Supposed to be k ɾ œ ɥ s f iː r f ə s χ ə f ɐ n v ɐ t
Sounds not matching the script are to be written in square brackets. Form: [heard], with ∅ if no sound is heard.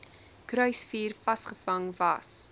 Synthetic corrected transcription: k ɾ œ ɥ s f iː r f [ɐ] s χ ə f ɐ [ŋ] v ɐ [s]